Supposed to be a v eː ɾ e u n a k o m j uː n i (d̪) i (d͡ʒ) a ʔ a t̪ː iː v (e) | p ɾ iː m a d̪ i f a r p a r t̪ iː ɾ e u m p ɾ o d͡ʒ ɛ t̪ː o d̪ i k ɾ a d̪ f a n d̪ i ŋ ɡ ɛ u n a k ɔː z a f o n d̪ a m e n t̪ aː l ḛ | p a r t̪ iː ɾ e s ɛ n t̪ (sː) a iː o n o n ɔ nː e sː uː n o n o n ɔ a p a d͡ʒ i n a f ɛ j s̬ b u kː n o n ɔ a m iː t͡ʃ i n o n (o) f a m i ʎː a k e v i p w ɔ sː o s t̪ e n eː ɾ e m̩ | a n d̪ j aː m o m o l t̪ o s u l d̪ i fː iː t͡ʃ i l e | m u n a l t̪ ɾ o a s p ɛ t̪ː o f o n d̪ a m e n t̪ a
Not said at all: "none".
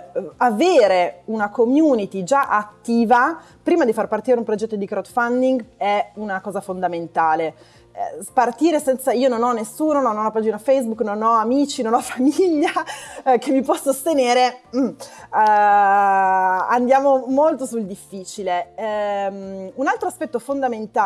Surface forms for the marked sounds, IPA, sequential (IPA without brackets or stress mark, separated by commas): t̪, d͡ʒ, a, s, ɔ